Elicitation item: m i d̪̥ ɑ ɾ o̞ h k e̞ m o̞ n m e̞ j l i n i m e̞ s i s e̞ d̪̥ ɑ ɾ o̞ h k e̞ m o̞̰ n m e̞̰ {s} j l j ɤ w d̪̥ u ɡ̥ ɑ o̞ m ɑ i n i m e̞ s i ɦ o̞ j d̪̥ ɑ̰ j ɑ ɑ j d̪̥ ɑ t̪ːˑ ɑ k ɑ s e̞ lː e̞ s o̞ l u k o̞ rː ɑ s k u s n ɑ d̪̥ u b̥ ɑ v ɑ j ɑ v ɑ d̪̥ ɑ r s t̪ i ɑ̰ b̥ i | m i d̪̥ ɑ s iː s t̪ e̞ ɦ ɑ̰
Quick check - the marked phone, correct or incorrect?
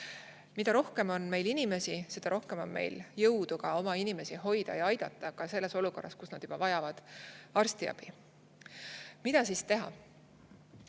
incorrect